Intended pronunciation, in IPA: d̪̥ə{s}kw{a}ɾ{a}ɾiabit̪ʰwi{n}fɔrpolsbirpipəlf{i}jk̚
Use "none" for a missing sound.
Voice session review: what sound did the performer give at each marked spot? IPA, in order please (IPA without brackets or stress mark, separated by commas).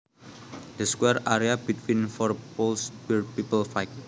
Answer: s, ɛ, a, n, a